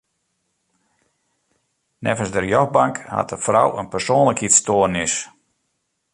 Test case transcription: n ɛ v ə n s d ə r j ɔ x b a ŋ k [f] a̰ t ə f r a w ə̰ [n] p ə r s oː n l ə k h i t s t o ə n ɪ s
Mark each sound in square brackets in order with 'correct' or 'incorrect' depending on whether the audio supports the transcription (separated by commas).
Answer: incorrect, correct